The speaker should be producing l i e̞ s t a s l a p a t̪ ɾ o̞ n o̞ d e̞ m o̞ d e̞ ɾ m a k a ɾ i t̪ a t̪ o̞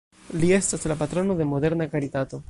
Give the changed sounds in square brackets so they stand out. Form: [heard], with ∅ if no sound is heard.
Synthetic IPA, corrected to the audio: l i e̞ s t a s l a p a t̪ ɾ o̞ n o̞ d e̞ m o̞ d e̞ ɾ [n] a k a ɾ i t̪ a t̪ o̞